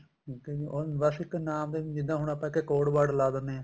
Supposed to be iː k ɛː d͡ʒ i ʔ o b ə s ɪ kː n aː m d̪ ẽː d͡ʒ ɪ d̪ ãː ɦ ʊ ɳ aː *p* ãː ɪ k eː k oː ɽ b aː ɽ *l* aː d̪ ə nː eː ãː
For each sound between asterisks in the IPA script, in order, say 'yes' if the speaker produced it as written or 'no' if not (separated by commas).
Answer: yes, yes